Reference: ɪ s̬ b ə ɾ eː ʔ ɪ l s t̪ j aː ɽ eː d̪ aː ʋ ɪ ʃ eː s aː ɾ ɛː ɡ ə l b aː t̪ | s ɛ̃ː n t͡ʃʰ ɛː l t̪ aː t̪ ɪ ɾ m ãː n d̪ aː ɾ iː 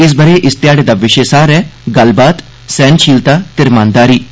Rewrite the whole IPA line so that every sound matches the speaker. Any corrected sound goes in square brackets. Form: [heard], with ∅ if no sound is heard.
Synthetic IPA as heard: ɪ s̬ b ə ɾ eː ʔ ɪ [∅] s t̪ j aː ɽ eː d̪ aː ʋ ɪ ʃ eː s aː ɾ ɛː ɡ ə l b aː t̪ | s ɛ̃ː n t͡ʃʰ [iː] l t̪ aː t̪ ɪ ɾ m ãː n d̪ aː ɾ iː